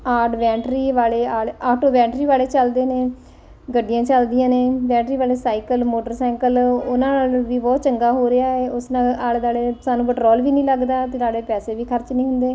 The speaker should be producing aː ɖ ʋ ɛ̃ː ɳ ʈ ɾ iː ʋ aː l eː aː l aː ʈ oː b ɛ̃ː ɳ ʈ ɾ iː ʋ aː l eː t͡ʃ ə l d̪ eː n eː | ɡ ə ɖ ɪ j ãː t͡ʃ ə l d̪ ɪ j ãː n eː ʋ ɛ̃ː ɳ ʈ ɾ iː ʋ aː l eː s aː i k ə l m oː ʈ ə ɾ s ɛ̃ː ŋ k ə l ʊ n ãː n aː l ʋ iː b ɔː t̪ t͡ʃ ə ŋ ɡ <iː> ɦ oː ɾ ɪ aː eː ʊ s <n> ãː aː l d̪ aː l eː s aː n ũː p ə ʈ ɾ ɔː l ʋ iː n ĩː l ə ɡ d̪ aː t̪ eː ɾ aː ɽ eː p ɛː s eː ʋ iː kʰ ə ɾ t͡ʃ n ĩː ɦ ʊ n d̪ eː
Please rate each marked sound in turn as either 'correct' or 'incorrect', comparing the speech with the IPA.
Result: incorrect, correct

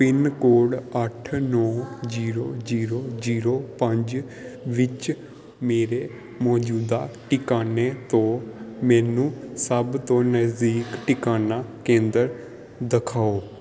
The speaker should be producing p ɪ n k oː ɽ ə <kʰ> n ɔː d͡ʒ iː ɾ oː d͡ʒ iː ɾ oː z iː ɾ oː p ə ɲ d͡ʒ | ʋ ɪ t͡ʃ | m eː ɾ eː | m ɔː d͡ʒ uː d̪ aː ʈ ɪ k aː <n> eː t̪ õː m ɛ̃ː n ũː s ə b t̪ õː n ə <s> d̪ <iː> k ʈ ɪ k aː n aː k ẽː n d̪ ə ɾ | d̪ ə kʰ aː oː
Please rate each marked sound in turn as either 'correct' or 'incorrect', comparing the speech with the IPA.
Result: incorrect, correct, incorrect, correct

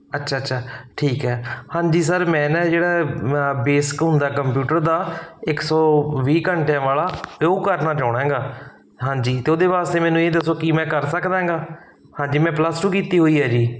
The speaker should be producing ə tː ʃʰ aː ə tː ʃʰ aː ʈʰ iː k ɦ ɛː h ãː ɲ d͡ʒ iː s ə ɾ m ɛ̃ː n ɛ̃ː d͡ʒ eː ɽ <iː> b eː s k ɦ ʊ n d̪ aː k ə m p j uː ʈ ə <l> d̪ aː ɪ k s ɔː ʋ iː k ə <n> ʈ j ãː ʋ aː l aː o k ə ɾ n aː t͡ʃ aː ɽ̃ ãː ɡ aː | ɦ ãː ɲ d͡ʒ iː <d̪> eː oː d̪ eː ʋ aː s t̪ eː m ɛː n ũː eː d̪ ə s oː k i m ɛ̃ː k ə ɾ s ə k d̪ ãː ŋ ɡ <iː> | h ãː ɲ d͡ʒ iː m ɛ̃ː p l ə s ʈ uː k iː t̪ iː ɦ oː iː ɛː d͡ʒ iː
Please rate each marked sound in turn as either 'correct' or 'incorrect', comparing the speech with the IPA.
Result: incorrect, incorrect, incorrect, incorrect, incorrect

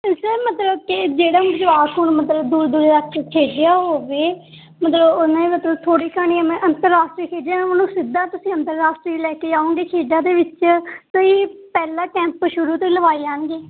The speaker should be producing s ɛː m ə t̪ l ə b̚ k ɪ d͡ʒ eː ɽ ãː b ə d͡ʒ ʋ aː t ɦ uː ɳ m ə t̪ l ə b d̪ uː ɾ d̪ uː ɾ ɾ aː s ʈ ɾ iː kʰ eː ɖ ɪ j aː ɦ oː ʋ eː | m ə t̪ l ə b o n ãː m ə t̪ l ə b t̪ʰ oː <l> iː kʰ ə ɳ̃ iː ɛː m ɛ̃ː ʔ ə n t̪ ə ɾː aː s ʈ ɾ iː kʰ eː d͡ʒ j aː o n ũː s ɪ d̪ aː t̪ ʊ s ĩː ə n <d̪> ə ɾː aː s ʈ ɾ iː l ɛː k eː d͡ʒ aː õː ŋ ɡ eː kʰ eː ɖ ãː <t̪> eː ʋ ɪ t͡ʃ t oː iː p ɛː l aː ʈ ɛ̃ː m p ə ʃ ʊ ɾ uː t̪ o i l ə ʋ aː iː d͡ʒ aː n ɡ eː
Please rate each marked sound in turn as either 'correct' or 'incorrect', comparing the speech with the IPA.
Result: incorrect, incorrect, incorrect

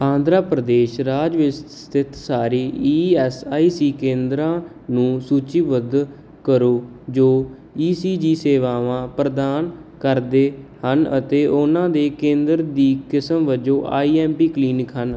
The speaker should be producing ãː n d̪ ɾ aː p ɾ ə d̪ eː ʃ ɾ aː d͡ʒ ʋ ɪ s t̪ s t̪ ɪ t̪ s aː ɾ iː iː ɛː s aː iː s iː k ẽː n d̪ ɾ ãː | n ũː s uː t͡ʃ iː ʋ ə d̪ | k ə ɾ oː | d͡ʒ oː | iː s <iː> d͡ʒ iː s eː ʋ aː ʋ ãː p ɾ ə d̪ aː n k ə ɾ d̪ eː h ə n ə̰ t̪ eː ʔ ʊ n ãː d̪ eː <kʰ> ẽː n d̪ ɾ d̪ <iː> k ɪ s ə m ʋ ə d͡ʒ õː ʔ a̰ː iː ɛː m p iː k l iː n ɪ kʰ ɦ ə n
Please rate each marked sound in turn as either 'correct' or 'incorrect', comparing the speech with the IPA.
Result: correct, incorrect, correct

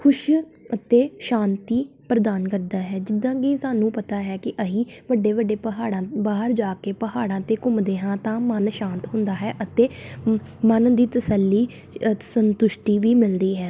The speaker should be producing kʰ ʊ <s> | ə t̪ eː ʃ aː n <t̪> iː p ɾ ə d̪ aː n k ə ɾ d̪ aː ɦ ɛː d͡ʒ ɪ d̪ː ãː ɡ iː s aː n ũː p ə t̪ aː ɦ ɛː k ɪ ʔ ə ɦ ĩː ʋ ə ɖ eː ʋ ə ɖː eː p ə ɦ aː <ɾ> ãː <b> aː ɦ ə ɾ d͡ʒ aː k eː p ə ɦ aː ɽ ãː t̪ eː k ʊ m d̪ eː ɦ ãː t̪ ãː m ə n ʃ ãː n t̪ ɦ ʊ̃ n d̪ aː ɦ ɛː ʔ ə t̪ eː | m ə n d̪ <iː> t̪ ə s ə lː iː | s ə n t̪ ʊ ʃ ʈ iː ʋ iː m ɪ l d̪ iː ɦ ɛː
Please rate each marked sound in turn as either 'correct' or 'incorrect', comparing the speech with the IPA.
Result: incorrect, correct, incorrect, correct, correct

